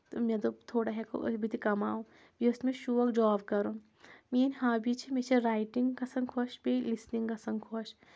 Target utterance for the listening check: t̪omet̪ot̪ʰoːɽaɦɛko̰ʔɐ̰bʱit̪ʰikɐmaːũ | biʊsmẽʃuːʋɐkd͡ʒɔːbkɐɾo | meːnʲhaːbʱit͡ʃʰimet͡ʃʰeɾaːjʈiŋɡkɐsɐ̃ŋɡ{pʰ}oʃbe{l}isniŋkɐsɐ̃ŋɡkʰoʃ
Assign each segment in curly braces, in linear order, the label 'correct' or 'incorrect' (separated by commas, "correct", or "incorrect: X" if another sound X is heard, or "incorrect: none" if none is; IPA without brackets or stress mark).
incorrect: kʰ, correct